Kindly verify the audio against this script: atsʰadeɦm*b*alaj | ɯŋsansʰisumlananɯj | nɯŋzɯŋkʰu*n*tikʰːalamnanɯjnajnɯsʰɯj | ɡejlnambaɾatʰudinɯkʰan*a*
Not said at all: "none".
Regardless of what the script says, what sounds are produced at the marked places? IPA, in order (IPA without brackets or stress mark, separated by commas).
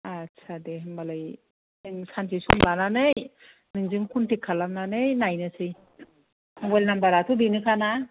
b, n, a